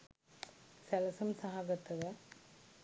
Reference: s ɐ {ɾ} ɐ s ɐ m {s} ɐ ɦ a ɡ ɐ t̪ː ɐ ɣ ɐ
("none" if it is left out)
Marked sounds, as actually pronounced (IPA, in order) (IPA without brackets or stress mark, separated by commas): l, s